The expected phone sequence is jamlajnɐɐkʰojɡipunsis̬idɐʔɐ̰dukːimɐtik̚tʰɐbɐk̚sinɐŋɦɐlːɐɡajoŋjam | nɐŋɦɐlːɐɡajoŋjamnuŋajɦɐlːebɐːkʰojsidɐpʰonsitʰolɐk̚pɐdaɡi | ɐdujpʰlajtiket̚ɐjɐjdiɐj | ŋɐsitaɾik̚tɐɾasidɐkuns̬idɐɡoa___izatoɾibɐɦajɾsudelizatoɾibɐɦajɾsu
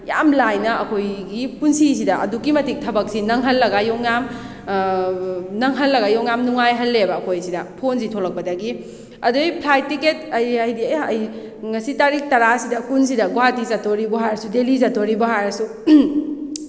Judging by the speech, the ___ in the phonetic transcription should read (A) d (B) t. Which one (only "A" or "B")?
B